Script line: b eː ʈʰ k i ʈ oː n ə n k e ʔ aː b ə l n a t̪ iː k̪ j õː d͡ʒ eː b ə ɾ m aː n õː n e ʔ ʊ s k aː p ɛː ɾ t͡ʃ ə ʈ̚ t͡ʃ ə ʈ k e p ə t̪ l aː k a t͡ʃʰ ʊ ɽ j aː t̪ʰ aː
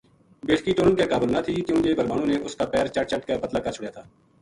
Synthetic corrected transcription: b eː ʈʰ k i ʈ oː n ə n k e k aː b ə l n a t̪ʰ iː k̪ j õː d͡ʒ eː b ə ɾ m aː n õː n e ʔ ʊ s k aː p ɛː ɾ t͡ʃ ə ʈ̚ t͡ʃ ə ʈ k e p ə t̪ l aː k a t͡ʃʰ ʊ ɽ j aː t̪ʰ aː